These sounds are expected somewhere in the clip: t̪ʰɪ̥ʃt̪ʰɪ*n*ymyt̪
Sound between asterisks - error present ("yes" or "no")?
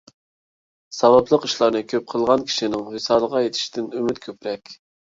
no